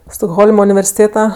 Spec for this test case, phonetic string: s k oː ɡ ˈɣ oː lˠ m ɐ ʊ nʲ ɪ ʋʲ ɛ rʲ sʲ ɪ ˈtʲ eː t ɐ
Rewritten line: s t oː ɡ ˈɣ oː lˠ m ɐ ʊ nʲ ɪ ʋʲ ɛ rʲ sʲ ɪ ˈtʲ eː t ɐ